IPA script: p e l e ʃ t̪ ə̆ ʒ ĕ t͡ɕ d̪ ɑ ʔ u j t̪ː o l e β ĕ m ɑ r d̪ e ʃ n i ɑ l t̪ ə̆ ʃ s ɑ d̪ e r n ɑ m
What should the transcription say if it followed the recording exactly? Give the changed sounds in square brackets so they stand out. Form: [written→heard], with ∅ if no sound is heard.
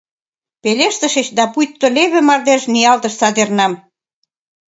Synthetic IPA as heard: p e l e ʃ t̪ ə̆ [ʒ→ʃ] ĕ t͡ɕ d̪ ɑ [ʔ→p] u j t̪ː o l e β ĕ m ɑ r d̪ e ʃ n i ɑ l t̪ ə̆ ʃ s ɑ d̪ e r n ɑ m